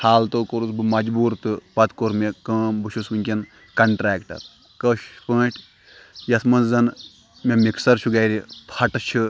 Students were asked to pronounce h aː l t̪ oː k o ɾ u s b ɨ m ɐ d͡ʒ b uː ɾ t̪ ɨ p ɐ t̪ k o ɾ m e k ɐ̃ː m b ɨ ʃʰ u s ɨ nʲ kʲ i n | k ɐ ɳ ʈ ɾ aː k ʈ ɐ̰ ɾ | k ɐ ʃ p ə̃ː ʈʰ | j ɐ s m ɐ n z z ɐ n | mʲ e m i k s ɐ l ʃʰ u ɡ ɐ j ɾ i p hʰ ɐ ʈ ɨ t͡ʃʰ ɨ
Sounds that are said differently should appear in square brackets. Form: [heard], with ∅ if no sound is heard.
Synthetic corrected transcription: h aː l t̪ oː k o ɾ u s b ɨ m ɐ d͡ʒ b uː ɾ t̪ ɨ p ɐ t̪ k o ɾ m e k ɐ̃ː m b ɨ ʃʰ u s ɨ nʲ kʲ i n | k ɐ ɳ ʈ ɾ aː k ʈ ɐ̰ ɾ | k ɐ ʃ p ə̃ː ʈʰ | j ɐ s m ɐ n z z ɐ n | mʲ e m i k s ɐ [ɾ] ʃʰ u ɡ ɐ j ɾ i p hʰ ɐ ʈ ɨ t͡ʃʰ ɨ